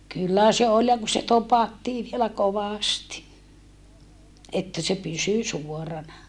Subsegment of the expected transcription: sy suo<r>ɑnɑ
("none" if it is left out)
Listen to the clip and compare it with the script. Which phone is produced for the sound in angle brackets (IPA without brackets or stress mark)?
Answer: r